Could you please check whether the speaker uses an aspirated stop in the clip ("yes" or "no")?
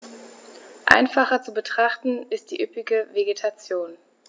yes